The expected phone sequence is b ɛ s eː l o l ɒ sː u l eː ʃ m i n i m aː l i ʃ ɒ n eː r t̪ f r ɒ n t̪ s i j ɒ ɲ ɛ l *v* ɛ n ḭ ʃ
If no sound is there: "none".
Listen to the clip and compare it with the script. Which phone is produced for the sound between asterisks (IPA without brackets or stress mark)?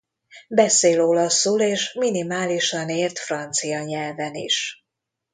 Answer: v